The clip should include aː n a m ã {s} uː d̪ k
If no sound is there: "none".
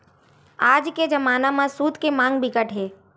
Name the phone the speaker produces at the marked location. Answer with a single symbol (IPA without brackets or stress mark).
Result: s